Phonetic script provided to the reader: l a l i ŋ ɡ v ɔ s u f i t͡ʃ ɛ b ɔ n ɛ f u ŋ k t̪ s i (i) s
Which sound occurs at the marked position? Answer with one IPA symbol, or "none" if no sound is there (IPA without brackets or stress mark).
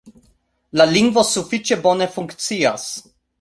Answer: a